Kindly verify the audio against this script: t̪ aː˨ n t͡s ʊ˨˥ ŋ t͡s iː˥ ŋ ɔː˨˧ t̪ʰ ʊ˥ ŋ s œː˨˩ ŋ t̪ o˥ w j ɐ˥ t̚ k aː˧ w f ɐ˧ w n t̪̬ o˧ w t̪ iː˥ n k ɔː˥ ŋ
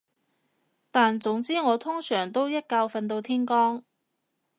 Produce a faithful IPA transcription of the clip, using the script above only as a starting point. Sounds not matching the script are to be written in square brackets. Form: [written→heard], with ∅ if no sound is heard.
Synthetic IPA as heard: t̪ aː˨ n t͡s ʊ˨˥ ŋ t͡s iː˥ ŋ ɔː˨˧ t̪ʰ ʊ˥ ŋ s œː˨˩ ŋ t̪ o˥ w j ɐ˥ t̚ k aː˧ w f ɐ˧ [w→∅] n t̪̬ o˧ w [t̪→t̪ʰ] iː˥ n k ɔː˥ ŋ

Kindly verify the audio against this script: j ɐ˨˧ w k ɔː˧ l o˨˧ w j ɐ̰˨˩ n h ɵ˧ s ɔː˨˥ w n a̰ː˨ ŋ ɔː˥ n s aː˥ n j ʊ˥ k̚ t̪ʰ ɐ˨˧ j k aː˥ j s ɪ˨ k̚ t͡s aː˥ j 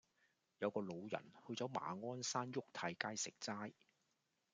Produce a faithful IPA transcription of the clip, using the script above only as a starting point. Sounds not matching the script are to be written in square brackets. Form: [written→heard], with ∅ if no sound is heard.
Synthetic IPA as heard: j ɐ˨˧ w k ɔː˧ l o˨˧ w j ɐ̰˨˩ n h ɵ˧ [s→t͡s] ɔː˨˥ w [n→m] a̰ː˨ ŋ ɔː˥ n s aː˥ n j ʊ˥ k̚ t̪ʰ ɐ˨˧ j k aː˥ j s ɪ˨ k̚ t͡s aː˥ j

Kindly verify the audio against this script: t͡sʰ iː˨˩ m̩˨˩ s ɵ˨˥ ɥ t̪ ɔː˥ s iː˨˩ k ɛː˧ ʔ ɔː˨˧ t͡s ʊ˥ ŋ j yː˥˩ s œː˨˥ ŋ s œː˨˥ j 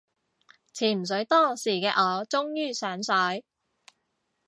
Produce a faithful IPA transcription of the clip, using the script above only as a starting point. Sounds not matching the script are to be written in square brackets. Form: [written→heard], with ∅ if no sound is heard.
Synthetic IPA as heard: t͡sʰ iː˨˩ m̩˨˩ s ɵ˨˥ ɥ t̪ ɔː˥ s iː˨˩ k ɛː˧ ʔ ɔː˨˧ t͡s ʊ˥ ŋ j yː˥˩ s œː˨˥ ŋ s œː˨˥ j

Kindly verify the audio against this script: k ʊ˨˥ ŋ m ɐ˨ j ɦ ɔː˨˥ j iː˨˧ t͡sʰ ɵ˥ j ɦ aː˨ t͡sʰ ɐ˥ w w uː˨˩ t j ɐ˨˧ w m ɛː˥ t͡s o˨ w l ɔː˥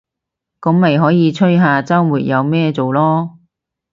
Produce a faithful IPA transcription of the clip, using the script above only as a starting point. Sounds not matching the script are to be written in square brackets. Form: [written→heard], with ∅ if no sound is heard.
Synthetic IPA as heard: k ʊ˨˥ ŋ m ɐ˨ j ɦ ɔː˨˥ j iː˨˧ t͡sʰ ɵ˥ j ɦ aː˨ [t͡sʰ→t͡s] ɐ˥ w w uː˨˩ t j ɐ˨˧ w m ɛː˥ t͡s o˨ w l ɔː˥

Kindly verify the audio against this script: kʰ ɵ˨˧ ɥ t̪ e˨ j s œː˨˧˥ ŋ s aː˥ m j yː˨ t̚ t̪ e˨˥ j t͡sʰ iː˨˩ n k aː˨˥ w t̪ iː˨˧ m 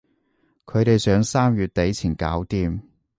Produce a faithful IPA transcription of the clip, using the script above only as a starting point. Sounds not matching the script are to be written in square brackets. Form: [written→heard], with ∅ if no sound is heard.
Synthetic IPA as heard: kʰ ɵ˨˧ ɥ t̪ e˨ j s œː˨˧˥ ŋ s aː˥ m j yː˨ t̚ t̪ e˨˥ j t͡sʰ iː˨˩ n k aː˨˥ w t̪ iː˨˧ m

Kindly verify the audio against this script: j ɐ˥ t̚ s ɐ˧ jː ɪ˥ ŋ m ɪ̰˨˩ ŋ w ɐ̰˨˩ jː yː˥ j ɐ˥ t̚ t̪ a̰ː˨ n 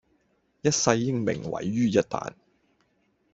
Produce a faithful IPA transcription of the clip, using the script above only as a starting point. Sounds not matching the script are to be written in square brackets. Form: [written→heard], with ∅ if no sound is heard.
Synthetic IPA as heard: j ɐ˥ t̚ s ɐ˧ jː ɪ˥ ŋ m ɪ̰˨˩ ŋ w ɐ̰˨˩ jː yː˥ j ɐ˥ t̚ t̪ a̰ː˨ n

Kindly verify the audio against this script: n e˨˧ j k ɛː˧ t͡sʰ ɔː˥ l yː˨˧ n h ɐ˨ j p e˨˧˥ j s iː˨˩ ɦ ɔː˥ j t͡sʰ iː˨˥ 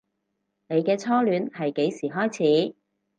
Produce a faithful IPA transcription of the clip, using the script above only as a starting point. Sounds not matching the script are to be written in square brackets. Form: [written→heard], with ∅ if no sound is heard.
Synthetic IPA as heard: n e˨˧ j k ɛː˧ t͡sʰ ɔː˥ l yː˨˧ n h ɐ˨ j [p→k] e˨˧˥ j s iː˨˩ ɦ ɔː˥ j t͡sʰ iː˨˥

